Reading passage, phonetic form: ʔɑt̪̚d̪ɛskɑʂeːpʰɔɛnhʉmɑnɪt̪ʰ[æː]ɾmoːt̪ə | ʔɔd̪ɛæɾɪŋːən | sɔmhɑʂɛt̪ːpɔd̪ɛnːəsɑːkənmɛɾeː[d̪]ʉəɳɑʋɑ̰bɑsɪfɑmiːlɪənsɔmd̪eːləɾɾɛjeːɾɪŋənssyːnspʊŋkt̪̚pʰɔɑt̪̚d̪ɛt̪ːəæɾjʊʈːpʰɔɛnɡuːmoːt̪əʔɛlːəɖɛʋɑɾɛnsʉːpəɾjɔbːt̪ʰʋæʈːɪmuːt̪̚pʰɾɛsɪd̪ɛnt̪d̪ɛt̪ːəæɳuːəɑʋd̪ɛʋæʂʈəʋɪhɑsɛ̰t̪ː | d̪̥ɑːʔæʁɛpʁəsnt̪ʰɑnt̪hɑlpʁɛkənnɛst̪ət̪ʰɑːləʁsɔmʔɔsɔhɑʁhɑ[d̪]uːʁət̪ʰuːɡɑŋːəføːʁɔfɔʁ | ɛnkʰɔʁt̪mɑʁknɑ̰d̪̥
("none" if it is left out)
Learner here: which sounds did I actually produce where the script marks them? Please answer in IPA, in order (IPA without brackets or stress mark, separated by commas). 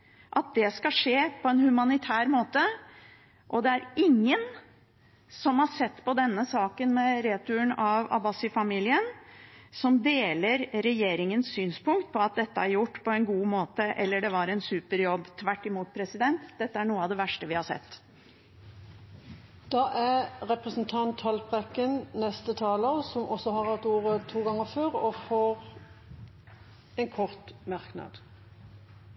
æː, t̪, t̪